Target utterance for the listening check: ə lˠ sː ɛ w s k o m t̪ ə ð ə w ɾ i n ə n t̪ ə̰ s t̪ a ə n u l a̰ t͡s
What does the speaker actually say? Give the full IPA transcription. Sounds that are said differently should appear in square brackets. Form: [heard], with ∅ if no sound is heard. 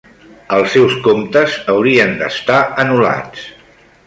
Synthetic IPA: ə lˠ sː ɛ w s k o m t̪ ə [z] ə w ɾ i [∅] ə n [d̪] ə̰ s t̪ a ə n u l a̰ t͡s